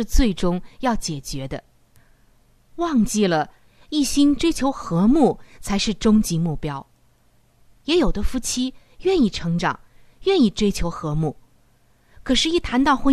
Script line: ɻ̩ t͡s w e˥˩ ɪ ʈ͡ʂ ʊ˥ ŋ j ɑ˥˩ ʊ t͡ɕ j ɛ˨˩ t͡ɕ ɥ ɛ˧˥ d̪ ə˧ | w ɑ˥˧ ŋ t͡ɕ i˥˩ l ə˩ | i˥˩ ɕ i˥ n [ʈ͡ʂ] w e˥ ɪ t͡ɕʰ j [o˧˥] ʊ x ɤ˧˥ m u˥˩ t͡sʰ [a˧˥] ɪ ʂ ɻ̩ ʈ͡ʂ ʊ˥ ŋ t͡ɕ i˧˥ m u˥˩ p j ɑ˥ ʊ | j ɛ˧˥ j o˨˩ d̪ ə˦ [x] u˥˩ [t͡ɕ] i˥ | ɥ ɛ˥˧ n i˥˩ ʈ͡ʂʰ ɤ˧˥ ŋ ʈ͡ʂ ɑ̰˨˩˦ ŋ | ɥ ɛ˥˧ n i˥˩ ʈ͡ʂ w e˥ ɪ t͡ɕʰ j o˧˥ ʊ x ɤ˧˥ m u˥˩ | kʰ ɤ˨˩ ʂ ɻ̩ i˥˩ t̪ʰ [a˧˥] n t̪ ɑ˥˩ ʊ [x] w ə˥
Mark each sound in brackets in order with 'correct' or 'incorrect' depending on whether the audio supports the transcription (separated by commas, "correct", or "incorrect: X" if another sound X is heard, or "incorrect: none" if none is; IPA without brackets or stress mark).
correct, correct, correct, incorrect: f, incorrect: t͡ɕʰ, correct, correct